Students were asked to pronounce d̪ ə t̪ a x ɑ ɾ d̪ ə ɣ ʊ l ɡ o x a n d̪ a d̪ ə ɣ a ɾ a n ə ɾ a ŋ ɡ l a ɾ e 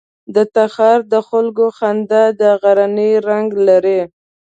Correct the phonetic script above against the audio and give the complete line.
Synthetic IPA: d̪ ə t̪ a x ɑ ɾ d̪ ə x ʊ l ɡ o x a n d̪ a d̪ ə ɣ a ɾ a n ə ɾ a ŋ ɡ l a ɾ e